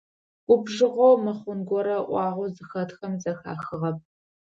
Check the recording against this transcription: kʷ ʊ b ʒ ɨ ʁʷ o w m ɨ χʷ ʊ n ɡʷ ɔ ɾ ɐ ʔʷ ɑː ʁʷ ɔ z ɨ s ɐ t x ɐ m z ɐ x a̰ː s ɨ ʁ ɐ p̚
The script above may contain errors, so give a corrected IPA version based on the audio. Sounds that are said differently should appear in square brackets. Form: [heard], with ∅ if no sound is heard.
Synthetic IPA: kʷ ʊ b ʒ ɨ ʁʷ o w m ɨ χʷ ʊ n ɡʷ ɔ ɾ ɐ ʔʷ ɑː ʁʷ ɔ z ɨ [x] ɐ t x ɐ m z ɐ x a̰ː [x] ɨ ʁ ɐ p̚